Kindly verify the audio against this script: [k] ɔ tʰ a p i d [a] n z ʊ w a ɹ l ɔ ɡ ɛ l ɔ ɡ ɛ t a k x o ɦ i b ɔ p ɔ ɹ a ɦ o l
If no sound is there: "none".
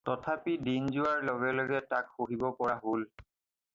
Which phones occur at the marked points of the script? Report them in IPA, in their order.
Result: t, i

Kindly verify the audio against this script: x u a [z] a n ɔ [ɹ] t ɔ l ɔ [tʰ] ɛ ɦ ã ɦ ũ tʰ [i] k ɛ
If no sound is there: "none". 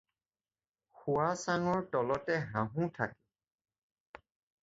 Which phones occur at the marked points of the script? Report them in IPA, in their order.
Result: s, ɹ, t, a

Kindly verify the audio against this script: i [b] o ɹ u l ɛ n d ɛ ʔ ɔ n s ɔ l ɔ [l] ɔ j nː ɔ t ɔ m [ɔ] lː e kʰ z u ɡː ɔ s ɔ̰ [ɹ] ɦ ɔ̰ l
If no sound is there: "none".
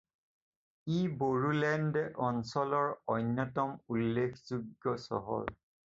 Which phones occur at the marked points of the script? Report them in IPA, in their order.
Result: b, ɹ, u, none

